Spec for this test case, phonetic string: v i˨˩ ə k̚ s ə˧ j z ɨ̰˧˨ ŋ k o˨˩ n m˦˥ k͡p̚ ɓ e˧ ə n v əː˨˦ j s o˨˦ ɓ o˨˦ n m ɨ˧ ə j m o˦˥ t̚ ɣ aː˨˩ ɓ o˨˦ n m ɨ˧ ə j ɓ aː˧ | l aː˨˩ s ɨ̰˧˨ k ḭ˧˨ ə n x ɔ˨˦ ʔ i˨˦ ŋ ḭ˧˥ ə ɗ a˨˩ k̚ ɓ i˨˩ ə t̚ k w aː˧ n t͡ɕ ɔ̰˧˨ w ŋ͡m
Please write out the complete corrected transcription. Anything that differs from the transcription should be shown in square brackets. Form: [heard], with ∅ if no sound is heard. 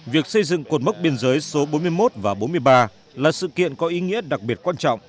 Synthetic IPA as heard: v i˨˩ ə k̚ s ə˧ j z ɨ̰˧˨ ŋ k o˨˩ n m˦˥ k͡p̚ ɓ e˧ ə n [z] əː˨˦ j s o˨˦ ɓ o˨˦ n m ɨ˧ ə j m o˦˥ t̚ [v] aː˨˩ ɓ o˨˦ n m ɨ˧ ə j ɓ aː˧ | l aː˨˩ s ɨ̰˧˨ k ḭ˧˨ ə n [k] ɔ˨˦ ʔ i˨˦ ŋ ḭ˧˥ ə ɗ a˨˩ k̚ ɓ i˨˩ ə t̚ k w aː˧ n t͡ɕ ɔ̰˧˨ w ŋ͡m